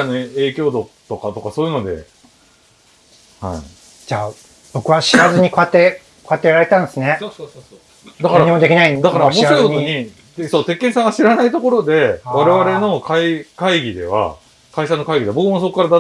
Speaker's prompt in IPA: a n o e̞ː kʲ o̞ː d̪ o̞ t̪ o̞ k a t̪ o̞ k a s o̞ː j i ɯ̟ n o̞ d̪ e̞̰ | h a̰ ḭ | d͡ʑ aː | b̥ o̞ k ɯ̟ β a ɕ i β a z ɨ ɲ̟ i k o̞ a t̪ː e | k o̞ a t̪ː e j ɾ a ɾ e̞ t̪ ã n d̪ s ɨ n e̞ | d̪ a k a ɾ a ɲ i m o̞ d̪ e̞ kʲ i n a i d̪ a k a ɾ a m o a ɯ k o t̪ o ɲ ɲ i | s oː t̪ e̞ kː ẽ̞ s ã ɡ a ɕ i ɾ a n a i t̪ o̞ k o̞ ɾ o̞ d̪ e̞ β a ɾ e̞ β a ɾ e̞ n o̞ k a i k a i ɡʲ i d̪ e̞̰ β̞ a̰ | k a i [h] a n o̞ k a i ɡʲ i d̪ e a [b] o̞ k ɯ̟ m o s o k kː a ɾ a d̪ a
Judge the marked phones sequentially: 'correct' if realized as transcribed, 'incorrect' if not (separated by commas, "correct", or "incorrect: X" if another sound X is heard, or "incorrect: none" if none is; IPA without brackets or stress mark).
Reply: incorrect: ɕ, correct